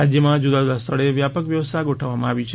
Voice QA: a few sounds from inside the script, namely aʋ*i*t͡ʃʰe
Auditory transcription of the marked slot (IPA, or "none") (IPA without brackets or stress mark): i